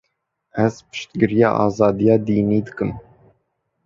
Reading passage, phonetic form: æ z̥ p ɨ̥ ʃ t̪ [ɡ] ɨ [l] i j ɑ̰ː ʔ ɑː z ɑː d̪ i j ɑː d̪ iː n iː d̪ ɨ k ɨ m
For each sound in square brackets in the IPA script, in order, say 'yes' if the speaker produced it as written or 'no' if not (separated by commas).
yes, no